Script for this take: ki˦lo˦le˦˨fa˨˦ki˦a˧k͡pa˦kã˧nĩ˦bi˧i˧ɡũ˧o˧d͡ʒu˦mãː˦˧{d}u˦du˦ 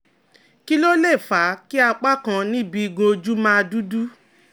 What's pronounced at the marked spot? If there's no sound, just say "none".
d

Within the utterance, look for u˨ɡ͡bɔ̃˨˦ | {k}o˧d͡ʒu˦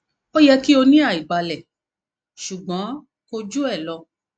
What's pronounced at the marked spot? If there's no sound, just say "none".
k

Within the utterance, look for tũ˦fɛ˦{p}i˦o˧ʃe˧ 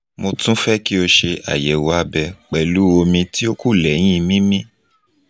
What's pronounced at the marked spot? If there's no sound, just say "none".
k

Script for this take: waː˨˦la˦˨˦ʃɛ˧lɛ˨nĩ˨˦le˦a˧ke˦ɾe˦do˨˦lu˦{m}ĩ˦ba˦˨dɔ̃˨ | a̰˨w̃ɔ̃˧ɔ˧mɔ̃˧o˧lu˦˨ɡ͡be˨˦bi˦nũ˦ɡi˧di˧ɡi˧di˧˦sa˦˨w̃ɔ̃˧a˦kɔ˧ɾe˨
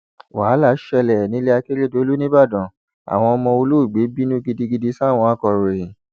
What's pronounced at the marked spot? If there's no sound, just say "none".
n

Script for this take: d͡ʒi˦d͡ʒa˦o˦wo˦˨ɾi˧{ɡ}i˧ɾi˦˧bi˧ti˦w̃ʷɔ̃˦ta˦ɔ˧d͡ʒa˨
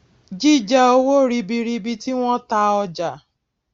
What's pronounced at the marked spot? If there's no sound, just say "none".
b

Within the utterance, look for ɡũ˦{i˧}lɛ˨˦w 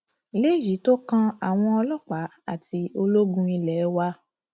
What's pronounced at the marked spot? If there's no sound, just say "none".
i˧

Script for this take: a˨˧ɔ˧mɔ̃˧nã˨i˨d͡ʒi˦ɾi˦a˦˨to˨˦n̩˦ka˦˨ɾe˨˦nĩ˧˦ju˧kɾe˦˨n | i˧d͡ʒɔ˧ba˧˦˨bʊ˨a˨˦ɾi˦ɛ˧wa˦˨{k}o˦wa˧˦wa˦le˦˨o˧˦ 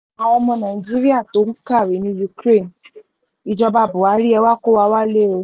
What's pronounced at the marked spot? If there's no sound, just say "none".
k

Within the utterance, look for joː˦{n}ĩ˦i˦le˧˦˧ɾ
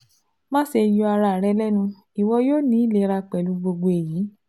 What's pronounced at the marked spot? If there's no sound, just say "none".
n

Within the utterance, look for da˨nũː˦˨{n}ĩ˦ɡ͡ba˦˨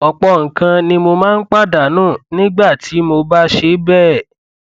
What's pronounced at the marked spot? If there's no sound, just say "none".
n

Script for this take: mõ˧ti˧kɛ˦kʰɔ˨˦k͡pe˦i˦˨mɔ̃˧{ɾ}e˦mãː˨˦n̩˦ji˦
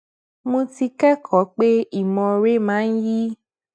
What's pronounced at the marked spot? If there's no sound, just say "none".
ɾ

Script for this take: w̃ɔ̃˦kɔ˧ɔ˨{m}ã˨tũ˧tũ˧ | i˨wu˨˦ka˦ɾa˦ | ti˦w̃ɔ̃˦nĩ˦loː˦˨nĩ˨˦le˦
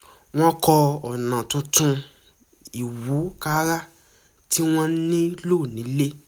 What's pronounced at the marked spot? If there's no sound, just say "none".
n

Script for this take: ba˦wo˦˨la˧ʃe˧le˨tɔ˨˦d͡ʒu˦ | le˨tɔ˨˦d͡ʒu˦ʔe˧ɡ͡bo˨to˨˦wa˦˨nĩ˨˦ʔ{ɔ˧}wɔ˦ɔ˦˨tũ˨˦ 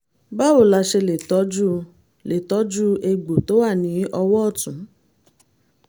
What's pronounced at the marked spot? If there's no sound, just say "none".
ɔ˧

